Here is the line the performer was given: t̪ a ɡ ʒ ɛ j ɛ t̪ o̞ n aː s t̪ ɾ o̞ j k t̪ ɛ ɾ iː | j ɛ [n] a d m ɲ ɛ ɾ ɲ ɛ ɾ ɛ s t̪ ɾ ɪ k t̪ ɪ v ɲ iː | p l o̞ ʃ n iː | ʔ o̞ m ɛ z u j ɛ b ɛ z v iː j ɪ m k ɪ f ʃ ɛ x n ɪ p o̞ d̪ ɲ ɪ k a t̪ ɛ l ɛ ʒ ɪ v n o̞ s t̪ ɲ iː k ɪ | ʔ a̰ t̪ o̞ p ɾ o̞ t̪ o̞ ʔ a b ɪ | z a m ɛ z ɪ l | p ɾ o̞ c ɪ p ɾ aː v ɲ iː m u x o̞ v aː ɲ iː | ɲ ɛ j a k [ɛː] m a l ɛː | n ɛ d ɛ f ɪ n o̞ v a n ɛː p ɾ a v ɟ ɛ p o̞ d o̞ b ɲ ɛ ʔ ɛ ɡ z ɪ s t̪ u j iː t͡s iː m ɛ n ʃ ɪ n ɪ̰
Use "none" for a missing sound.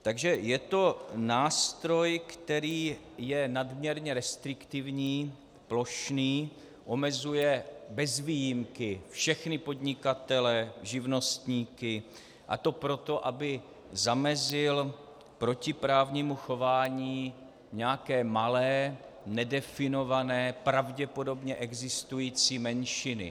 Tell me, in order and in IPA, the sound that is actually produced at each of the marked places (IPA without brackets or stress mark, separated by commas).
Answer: n, ɛː